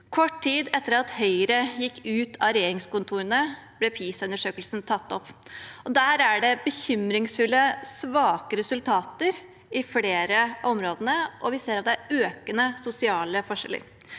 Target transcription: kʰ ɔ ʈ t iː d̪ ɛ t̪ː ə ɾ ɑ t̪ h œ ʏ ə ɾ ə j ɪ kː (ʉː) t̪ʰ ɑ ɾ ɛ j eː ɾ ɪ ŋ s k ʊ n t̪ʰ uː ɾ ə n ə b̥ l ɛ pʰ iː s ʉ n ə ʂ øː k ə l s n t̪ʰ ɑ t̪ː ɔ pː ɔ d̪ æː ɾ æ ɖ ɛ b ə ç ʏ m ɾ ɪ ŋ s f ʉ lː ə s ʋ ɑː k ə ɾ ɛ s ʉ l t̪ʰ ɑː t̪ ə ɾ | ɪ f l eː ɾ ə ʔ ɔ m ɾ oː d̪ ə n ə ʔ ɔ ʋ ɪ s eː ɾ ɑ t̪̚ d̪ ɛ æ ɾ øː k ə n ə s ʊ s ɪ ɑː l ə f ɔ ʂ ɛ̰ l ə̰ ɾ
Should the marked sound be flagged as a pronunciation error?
no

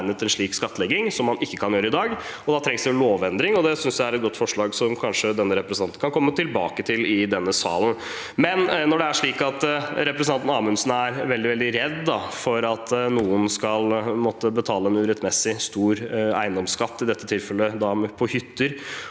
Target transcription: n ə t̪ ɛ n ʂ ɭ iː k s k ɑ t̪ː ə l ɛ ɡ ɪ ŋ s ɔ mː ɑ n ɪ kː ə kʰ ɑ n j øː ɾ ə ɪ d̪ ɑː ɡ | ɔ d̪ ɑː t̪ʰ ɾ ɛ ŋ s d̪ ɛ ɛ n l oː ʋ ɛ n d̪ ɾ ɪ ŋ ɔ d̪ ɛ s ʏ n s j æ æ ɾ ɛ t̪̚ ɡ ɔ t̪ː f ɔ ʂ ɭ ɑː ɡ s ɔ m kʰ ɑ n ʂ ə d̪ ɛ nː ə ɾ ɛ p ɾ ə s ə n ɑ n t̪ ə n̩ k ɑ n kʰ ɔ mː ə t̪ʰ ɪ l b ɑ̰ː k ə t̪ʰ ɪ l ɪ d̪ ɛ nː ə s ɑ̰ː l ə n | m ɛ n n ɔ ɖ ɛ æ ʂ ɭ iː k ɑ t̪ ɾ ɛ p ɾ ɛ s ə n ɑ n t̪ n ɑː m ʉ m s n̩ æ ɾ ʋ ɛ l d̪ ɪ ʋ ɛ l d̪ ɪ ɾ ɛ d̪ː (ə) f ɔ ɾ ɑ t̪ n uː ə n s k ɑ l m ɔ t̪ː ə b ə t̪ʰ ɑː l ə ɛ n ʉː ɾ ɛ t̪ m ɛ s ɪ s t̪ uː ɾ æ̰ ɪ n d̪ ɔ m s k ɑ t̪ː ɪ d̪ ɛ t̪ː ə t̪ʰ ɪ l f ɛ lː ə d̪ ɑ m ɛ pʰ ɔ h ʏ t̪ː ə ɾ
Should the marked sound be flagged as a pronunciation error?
yes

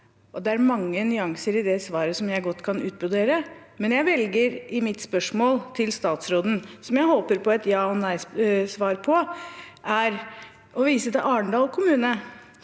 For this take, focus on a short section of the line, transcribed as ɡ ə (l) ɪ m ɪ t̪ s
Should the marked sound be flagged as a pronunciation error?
yes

